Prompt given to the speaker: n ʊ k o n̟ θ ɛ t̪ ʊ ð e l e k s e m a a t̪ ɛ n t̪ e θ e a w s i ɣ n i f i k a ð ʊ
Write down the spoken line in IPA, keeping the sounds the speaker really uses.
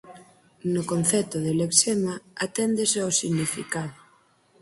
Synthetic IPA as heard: n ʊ k o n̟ θ ɛ t̪ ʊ ð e l e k s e m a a t̪ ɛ n d̪ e s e a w s i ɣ n i f i k a ð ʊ